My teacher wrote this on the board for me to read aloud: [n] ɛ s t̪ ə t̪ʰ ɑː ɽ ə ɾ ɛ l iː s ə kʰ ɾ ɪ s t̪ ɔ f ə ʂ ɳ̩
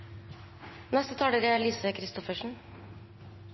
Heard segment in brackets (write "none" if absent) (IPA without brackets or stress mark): n